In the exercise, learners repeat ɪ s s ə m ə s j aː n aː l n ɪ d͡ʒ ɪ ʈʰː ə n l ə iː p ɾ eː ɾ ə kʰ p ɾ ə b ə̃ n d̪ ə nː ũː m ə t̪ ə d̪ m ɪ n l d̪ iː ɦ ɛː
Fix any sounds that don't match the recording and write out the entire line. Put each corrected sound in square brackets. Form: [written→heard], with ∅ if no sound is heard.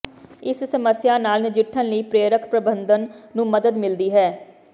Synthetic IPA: ɪ s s ə m ə s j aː n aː l n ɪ d͡ʒ ɪ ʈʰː ə n l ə iː p ɾ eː ɾ ə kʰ p ɾ ə b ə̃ n d̪ ə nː ũː m ə [t̪→d̪] ə d̪ m ɪ [n→∅] l d̪ iː ɦ ɛː